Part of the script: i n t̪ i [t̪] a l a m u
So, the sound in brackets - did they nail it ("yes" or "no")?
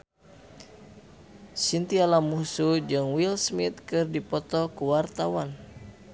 no